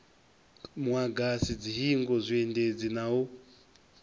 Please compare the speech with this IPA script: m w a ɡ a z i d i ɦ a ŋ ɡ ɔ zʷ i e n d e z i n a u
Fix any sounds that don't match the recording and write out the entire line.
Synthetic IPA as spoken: m w a ɡ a s i d͡z i ɦ i ŋ ɡ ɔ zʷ i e n d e d͡z i n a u